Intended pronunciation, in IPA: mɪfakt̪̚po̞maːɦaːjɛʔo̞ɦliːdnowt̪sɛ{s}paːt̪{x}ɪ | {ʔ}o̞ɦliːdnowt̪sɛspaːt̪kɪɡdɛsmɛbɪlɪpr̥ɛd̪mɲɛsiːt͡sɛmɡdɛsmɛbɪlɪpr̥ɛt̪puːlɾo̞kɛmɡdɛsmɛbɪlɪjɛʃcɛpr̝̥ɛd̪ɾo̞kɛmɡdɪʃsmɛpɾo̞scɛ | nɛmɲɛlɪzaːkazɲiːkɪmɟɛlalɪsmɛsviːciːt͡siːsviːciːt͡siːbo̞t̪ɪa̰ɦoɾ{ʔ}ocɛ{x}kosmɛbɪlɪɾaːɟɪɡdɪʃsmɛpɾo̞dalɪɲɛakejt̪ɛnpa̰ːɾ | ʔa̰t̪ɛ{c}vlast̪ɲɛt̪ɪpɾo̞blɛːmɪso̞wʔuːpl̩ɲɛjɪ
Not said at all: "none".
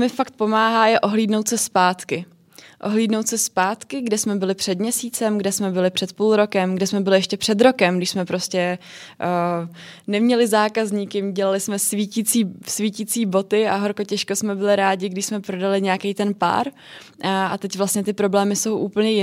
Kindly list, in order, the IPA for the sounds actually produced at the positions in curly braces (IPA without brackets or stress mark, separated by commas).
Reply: s, k, ʔ, k, ʃ, c